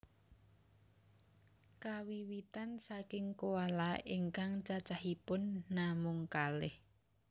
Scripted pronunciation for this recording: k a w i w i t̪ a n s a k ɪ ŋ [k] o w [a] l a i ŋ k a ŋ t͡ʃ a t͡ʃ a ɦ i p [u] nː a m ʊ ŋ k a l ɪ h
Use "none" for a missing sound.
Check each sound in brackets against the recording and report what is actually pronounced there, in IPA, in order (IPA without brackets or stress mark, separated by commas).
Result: k, a, ʊ